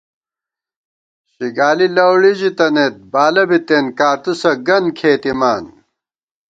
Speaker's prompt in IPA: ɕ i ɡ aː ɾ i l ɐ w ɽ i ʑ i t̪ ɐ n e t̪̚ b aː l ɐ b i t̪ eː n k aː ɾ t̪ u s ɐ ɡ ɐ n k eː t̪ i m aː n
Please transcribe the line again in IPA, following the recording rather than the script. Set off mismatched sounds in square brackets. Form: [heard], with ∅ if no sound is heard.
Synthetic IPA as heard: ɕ i ɡ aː [l] i l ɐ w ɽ i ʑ i t̪ ɐ n e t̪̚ b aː l ɐ b i t̪ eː n k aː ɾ t̪ u s ɐ ɡ ɐ n [kʰ] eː t̪ i m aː n